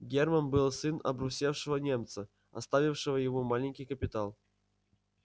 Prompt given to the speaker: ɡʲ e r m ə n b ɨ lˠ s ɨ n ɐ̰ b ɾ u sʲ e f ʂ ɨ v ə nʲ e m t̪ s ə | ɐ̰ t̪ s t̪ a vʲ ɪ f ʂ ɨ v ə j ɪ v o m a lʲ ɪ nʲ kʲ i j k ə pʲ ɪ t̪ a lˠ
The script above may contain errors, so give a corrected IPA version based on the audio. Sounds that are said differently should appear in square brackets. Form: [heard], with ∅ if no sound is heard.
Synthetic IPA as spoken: ɡʲ e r m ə n b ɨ lˠ s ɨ n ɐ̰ b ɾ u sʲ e f ʂ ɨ v ə nʲ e m t̪ s ə | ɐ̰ [∅] s t̪ a vʲ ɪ f ʂ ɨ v ə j ɪ v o m a lʲ ɪ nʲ kʲ i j k ə pʲ ɪ t̪ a lˠ